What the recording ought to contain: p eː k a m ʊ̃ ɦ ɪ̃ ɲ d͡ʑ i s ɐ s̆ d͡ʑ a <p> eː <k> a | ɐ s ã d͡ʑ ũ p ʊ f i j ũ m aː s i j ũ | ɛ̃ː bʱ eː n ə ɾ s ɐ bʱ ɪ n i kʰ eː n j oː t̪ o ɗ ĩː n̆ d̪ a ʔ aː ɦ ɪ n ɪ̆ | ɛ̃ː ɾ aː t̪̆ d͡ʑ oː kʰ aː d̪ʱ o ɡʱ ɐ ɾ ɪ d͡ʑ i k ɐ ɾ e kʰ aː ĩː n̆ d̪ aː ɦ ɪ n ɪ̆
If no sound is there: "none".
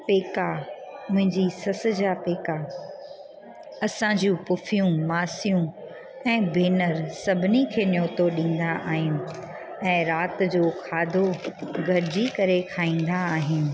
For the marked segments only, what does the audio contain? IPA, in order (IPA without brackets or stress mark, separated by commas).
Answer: p, k